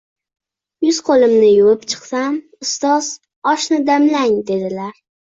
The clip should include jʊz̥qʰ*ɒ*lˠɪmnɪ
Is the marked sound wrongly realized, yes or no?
yes